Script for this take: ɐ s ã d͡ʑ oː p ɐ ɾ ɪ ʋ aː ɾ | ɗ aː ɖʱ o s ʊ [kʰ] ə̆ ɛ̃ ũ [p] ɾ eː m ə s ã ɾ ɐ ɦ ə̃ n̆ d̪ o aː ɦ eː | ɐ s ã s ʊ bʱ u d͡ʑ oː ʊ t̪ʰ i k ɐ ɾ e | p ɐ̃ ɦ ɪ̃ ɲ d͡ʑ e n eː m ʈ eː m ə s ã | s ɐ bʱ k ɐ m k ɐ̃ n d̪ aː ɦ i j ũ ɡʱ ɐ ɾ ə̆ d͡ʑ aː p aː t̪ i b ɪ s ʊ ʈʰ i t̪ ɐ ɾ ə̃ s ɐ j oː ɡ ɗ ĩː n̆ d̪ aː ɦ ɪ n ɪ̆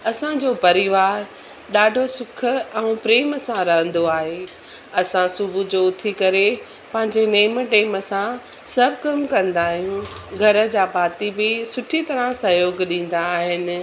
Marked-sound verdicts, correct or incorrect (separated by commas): correct, correct